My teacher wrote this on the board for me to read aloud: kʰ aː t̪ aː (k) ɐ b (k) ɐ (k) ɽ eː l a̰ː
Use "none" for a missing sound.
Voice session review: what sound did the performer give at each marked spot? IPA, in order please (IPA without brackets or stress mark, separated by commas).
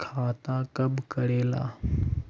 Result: k, k, none